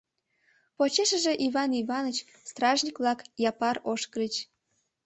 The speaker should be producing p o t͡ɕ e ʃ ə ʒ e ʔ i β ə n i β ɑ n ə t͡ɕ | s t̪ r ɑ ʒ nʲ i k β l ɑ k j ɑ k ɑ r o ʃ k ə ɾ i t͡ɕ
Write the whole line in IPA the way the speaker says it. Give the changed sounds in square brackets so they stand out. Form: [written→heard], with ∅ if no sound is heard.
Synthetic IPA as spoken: p o t͡ɕ e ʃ ə ʒ e ʔ i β [ə→ɑ] n i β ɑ n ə t͡ɕ | s t̪ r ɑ ʒ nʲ i k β l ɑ k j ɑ [k→p] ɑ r o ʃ k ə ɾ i t͡ɕ